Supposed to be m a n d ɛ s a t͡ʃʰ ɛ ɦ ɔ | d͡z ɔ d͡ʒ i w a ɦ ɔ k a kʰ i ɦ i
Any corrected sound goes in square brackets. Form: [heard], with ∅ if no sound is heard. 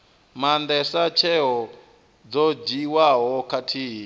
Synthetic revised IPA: m a n d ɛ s a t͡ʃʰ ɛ ɦ ɔ | d͡z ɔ d͡ʒ i w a ɦ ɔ k a [tʰ] i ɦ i